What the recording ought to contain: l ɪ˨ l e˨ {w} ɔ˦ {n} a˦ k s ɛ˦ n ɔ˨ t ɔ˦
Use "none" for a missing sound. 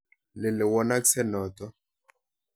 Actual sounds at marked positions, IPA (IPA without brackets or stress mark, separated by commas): w, n